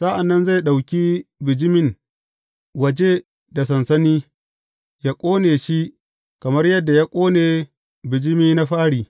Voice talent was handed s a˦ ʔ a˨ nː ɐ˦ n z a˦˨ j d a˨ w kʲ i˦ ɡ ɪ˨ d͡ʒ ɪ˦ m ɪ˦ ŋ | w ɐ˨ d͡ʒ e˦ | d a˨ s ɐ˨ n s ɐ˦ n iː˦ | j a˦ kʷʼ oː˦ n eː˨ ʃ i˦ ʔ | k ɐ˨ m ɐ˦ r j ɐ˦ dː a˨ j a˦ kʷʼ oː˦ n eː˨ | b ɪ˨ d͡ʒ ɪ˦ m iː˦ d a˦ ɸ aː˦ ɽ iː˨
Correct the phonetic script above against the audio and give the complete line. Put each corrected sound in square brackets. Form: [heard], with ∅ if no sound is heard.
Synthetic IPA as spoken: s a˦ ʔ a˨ nː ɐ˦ n z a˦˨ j [ɗ] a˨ w kʲ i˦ [b] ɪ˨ d͡ʒ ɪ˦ m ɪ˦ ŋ | w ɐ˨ d͡ʒ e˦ | d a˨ s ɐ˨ n s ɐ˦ n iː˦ | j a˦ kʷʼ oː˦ n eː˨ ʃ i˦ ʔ | k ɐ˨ m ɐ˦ r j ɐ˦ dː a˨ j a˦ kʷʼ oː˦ n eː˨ | b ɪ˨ d͡ʒ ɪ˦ m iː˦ [n] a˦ ɸ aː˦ ɽ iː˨